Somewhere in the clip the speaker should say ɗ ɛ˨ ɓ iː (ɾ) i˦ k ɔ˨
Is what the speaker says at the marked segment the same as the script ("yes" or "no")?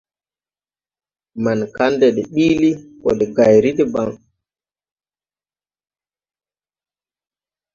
no